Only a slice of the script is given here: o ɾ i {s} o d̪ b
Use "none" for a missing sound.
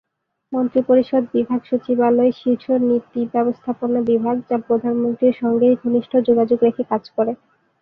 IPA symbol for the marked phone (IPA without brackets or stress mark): ʃ